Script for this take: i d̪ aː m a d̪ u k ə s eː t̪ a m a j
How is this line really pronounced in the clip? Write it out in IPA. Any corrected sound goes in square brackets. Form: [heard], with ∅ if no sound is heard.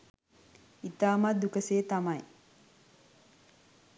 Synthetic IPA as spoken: i [t̪] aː m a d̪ u k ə s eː t̪ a m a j